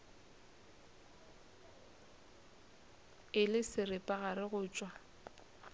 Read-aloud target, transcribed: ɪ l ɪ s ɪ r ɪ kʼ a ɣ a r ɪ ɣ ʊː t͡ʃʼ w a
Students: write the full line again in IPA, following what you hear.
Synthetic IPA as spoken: ɪ l ɪ s ɪ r ɪ pʼ a ɣ a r ɪ ɣ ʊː t͡ʃʼ w a